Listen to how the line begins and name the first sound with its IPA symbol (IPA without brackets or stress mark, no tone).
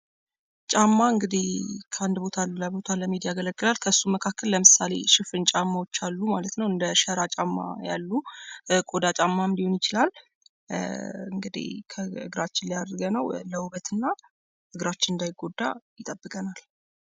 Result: t͡ʃʼ